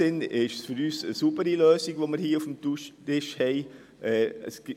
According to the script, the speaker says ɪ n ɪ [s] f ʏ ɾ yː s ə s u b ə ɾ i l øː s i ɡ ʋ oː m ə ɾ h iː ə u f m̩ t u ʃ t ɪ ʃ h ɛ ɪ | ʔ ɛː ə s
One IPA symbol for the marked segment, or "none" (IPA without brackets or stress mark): ʃ